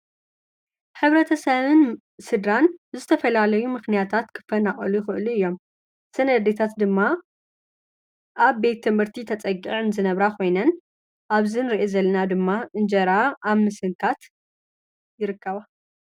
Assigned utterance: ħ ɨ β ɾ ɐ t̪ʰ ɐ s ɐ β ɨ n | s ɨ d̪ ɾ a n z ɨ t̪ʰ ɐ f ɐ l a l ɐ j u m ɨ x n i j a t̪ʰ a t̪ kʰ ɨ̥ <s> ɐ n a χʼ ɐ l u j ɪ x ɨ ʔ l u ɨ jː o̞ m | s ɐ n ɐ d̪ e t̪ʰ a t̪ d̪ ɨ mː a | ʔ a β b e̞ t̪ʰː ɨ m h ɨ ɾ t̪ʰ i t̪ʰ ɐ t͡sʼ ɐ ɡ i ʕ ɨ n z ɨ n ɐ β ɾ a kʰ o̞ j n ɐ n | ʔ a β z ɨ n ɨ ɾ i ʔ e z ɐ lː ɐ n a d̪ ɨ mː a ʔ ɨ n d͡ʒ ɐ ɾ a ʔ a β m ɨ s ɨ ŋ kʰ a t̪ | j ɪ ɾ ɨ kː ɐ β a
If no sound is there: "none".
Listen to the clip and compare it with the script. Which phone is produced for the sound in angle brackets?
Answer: f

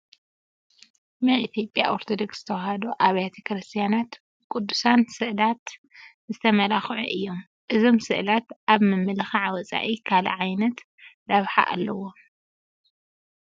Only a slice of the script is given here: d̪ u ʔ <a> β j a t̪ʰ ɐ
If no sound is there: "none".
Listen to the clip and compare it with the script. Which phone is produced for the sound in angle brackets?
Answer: a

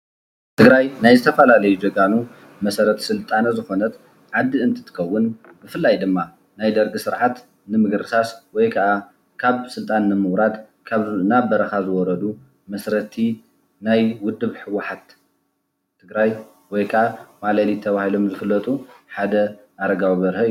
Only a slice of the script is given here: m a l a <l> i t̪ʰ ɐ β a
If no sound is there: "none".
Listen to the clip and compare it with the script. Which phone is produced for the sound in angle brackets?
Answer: l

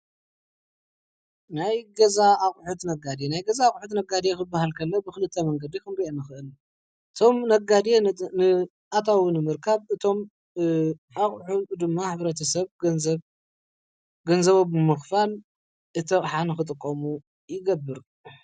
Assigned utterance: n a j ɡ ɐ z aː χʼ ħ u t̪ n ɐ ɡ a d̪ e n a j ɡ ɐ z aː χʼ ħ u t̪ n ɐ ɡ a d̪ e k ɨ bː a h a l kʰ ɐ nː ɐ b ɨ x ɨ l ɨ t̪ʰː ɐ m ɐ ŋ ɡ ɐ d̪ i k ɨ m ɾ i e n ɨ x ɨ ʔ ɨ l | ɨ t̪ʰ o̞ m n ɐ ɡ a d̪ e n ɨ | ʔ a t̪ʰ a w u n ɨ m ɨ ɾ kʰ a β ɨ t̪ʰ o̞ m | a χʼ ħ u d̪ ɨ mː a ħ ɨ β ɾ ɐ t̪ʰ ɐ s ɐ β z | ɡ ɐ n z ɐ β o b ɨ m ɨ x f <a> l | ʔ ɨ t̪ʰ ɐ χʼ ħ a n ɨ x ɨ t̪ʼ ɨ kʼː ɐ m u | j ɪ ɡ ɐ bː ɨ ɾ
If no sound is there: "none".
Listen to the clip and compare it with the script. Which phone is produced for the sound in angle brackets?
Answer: a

